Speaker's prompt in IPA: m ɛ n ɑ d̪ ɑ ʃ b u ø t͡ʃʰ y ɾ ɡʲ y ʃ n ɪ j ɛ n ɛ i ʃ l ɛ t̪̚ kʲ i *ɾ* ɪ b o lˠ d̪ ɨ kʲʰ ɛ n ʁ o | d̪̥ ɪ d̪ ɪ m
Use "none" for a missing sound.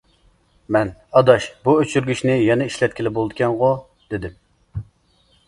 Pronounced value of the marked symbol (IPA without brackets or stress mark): l